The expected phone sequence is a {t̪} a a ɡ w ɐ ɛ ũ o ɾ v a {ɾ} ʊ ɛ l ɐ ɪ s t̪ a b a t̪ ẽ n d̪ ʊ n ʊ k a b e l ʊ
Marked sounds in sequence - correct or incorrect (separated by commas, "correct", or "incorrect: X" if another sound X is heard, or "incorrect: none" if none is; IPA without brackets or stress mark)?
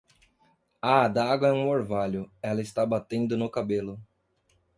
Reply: incorrect: d̪, incorrect: ʎ